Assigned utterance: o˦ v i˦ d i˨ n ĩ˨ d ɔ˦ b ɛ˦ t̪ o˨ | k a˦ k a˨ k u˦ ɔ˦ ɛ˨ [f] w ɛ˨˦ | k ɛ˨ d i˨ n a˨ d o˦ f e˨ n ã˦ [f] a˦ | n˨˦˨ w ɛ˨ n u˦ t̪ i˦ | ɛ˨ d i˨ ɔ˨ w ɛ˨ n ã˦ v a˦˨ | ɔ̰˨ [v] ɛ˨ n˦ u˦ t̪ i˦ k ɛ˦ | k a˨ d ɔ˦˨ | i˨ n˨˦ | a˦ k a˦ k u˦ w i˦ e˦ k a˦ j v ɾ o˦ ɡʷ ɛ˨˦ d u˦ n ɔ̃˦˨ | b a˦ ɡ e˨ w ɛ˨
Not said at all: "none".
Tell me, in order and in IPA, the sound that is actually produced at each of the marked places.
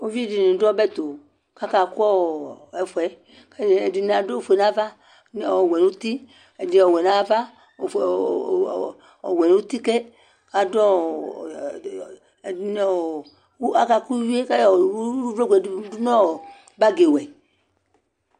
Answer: f, v, w

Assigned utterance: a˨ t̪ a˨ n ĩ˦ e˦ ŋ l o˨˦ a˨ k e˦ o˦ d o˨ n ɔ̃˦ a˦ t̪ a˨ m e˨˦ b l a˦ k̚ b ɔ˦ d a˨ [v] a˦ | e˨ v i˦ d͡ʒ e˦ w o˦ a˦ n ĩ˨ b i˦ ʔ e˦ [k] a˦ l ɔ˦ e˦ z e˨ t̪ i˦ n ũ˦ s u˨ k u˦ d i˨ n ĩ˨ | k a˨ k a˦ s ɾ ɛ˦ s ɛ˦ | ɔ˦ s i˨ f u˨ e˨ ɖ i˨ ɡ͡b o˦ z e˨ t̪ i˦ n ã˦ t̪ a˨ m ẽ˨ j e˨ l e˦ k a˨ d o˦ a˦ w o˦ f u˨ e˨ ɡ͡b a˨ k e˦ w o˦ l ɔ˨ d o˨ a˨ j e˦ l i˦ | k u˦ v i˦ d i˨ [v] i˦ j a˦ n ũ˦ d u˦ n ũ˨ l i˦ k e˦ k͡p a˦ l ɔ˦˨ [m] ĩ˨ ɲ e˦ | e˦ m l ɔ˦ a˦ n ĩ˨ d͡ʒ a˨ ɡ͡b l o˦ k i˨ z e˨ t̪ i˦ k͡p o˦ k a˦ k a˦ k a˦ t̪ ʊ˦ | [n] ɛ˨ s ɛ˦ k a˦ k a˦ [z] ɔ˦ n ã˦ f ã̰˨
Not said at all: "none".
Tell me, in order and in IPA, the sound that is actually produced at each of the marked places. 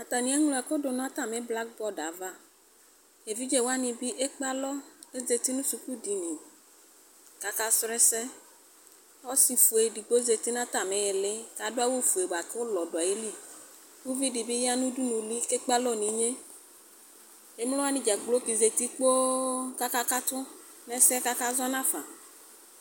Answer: v, k͡p, b, n, n, z

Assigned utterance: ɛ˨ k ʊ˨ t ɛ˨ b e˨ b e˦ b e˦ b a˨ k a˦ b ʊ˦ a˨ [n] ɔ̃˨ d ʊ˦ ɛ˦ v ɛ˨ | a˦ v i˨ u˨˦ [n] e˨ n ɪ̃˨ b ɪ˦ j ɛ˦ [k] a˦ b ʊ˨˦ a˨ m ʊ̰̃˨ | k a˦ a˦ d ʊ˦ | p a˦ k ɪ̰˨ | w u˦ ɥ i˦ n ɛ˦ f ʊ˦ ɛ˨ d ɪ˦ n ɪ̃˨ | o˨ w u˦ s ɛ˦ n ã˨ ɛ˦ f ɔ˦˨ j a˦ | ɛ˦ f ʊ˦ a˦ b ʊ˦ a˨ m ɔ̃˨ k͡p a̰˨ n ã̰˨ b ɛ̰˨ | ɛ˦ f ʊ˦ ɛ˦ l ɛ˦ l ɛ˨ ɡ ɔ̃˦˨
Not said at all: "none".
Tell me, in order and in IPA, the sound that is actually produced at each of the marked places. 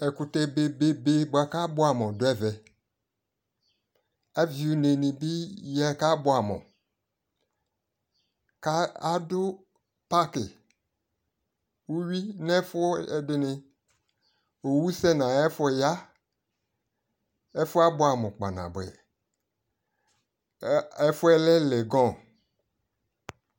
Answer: m, n, k

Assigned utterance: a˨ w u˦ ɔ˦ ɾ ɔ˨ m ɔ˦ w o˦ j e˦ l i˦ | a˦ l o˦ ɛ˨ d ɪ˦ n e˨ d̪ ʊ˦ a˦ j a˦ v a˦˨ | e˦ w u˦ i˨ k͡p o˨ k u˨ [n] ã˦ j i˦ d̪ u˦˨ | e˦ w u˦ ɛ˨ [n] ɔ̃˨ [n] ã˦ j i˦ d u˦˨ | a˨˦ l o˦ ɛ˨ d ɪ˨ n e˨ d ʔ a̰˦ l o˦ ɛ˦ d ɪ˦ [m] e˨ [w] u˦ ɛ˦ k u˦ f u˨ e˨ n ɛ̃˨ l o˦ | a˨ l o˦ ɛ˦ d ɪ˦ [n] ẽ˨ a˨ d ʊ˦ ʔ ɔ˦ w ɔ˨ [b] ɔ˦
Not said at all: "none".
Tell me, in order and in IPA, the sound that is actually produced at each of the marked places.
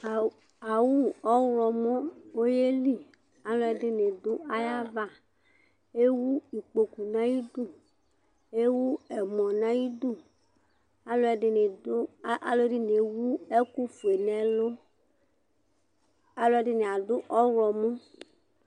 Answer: n, m, n, n, w, n, m

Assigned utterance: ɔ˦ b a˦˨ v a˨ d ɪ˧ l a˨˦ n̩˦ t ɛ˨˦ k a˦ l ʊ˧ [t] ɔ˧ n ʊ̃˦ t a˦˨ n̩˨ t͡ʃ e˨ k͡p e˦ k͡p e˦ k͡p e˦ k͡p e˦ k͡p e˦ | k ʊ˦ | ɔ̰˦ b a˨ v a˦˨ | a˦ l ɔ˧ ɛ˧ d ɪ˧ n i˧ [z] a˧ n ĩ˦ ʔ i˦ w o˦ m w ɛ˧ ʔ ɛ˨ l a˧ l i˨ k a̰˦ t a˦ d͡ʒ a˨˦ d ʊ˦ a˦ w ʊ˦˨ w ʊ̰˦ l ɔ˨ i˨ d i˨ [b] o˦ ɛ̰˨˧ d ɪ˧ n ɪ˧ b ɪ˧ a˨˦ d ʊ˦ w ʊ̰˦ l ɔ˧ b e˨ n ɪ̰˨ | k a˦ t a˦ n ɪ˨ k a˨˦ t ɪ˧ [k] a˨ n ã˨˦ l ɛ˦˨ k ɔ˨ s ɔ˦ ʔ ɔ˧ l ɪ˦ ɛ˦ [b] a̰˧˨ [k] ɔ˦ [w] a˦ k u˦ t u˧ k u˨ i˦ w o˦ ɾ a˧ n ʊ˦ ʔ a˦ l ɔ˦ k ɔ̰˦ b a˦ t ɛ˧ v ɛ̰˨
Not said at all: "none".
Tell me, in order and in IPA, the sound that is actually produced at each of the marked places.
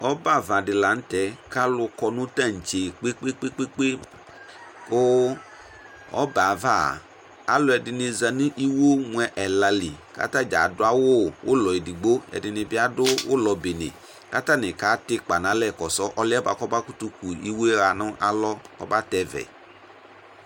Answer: k, z, ɡ͡b, k͡p, b, k, b

